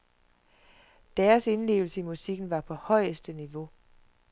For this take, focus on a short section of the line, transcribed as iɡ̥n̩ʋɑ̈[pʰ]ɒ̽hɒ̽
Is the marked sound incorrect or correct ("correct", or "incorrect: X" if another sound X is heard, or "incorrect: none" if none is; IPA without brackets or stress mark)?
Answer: correct